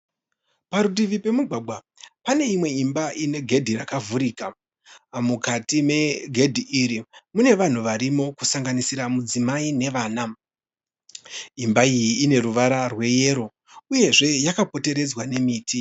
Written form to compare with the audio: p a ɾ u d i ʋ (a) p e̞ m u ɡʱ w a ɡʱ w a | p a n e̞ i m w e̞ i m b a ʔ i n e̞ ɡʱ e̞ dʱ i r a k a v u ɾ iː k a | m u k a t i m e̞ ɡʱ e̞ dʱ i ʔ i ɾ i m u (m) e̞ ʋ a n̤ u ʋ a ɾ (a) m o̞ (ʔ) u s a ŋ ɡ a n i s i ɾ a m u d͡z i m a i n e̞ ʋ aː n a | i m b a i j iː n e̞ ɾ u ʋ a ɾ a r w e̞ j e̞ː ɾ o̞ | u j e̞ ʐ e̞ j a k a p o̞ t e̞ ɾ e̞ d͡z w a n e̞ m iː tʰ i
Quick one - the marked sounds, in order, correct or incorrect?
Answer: incorrect: i, incorrect: n, incorrect: i, incorrect: k

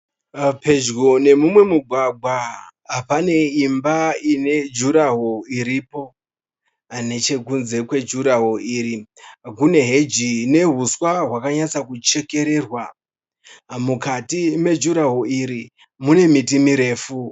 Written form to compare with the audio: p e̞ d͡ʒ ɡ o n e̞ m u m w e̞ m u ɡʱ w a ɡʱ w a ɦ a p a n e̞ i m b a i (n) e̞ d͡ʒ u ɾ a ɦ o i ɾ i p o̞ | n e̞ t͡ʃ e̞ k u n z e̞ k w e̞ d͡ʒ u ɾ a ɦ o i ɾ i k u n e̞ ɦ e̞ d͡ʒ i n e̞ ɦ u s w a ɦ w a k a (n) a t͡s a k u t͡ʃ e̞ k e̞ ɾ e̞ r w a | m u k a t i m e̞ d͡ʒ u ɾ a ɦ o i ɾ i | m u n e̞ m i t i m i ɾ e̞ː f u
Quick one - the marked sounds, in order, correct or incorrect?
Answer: correct, incorrect: ɲ

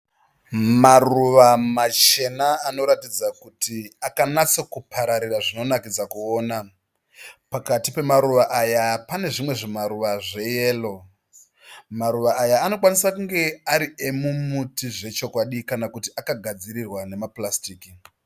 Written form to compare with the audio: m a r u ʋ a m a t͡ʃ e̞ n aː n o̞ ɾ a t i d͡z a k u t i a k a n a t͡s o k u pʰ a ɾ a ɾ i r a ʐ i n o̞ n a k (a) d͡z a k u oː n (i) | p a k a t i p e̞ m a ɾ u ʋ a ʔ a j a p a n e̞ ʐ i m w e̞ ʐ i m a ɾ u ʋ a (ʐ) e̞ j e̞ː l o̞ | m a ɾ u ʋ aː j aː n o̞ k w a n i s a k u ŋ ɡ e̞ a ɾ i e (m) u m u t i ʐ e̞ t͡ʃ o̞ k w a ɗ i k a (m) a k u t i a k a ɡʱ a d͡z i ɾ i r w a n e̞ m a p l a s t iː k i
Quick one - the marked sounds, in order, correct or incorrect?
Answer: incorrect: i, incorrect: a, correct, correct, incorrect: n

